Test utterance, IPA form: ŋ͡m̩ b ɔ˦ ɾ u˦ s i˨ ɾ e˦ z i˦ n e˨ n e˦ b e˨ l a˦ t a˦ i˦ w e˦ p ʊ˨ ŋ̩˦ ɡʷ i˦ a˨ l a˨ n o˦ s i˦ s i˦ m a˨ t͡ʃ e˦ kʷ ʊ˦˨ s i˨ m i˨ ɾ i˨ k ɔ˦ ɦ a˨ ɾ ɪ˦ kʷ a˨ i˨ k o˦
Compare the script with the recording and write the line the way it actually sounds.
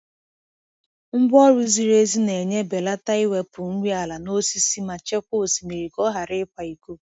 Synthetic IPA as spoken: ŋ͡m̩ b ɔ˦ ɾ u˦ z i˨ ɾ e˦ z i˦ n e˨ ɲ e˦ b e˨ l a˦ t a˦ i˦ w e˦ p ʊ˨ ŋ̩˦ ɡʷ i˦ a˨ l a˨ n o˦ s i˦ s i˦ m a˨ t͡ʃ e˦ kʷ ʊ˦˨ s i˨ m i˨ ɾ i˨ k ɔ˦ ɦ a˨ ɾ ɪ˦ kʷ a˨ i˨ k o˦

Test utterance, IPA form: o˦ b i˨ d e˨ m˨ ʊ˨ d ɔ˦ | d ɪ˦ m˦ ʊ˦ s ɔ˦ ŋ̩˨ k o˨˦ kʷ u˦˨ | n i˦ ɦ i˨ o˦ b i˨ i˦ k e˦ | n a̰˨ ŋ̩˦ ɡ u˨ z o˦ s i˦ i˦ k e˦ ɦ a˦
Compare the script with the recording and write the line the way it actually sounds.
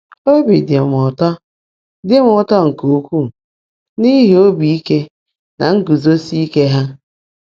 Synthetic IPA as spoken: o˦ b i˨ d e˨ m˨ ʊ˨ t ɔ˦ | d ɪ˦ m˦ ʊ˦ t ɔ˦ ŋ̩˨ k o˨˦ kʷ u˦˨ | n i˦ ɦ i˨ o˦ b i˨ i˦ k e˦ | n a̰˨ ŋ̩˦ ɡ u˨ z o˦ s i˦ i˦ k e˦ ɦ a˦

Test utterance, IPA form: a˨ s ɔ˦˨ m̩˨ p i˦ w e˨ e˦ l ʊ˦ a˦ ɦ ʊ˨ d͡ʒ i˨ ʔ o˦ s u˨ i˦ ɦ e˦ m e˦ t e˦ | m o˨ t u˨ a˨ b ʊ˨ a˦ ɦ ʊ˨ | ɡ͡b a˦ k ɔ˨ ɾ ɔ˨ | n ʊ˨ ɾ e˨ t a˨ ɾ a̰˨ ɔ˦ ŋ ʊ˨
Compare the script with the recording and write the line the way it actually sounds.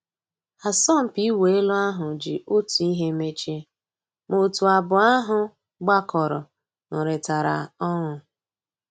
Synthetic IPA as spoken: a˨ s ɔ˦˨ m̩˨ p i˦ w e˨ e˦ l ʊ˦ a˦ ɦ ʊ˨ d͡ʒ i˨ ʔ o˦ t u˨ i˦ ɦ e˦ m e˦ t͡ʃ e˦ | m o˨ t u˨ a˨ b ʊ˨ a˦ ɦ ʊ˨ | ɡ͡b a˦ k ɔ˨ ɾ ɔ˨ | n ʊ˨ ɾ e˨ t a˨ ɾ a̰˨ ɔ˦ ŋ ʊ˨

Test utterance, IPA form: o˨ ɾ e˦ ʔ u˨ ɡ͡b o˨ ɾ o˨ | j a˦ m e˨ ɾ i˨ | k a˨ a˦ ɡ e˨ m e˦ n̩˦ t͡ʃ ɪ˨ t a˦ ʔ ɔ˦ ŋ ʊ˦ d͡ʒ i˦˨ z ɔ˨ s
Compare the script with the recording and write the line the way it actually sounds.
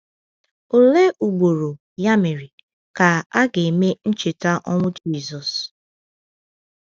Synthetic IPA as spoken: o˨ l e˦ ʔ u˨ ɡ͡b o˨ ɾ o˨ | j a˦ m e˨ ɾ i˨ | k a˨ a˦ ɡ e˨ m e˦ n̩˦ t͡ʃ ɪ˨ t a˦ ʔ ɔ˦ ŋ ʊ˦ d͡ʒ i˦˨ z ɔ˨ s

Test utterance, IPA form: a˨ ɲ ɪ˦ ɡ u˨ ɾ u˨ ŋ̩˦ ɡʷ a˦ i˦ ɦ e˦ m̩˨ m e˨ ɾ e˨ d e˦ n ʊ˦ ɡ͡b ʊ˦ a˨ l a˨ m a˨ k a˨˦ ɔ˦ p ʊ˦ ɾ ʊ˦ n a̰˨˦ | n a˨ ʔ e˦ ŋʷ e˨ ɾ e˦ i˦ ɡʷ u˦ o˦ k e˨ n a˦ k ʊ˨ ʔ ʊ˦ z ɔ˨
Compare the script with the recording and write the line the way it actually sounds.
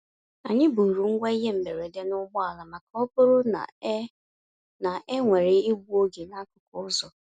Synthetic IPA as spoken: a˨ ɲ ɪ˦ b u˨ ɾ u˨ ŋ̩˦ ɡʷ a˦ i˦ ɦ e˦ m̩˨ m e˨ ɾ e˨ d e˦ n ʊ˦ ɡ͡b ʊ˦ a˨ l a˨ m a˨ k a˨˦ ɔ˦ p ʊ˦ ɾ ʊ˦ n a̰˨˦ | n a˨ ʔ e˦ ŋʷ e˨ ɾ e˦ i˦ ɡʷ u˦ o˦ ɡ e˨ n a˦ k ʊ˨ k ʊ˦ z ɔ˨

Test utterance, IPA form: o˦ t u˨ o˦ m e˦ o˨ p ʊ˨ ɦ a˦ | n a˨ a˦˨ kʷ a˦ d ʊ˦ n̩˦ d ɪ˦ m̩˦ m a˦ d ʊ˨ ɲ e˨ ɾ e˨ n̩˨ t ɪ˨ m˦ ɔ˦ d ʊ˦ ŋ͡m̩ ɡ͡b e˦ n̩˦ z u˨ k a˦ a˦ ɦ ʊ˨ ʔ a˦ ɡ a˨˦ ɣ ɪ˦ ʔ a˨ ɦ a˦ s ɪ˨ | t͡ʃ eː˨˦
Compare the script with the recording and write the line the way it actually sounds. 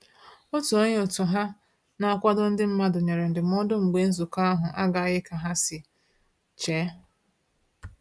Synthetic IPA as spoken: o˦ t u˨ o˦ ɲ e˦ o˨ t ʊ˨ ɦ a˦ | n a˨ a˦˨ kʷ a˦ d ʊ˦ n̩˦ d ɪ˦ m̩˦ m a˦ d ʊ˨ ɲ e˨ ɾ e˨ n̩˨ d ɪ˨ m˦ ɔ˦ d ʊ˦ ŋ͡m̩ ɡ͡b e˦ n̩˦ z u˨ k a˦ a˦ ɦ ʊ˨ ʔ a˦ ɡ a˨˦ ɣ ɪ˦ k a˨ ɦ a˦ s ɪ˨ | t͡ʃ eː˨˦

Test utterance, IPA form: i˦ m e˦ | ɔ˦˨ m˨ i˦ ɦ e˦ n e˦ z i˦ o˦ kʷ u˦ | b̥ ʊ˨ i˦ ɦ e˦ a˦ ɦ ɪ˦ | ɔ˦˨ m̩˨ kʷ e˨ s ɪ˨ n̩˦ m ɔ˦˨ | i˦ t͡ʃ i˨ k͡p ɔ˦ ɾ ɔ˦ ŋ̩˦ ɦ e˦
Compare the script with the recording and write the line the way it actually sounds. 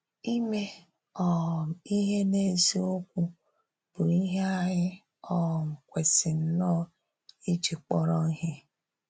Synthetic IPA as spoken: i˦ m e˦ | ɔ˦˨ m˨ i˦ ɦ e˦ n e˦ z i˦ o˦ kʷ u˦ | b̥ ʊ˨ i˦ ɦ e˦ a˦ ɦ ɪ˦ | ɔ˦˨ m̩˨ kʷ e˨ s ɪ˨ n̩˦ n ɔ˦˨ | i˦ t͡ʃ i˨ k͡p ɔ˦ ɾ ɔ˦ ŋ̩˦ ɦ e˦

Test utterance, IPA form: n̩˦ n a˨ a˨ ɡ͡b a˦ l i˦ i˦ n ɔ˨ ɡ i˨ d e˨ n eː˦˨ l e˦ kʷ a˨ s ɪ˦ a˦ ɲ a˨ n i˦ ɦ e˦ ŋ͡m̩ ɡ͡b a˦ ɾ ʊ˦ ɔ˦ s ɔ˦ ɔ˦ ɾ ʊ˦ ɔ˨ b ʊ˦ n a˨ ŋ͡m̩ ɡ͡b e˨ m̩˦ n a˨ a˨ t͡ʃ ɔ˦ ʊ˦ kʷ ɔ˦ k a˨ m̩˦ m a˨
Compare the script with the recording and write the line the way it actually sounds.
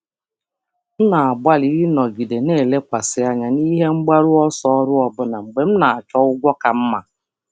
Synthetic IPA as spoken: m̩˦ n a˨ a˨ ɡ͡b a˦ l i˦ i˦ n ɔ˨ ɡ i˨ d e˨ n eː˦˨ l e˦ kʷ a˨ s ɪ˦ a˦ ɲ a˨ n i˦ ɦ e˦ ŋ͡m̩ ɡ͡b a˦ ɾ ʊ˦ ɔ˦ s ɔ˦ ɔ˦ ɾ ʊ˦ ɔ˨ b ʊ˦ n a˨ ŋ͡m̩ ɡ͡b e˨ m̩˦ n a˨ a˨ t͡ʃ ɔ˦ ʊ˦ ɡʷ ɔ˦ k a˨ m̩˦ m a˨

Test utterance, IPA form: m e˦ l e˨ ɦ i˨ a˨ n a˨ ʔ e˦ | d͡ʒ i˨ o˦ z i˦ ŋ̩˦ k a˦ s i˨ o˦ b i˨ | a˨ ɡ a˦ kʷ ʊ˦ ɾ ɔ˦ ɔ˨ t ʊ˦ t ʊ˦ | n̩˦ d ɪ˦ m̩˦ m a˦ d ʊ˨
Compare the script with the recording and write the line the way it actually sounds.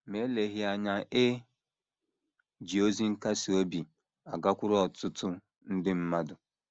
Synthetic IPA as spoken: m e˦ l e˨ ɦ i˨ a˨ ɲ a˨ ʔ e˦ | d͡ʒ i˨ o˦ z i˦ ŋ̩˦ k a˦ s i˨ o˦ b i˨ | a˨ ɡ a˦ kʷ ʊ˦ ɾ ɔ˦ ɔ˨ t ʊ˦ t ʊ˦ | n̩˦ d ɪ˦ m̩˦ m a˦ d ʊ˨

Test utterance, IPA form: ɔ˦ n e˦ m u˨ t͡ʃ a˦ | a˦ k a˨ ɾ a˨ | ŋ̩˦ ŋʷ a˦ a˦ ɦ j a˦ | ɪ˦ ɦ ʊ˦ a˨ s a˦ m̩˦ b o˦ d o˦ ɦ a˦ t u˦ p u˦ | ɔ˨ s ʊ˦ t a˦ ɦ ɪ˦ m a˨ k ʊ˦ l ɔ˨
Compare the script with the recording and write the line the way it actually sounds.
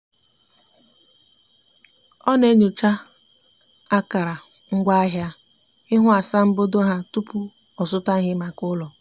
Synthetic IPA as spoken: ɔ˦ n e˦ ɲ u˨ t͡ʃ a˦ | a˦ k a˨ ɾ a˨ | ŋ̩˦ ɡʷ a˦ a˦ ɦ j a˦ | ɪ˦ ɦ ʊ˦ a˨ s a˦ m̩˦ b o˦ d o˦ ɦ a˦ t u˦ p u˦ | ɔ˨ s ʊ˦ t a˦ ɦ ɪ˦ m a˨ k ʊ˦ l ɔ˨

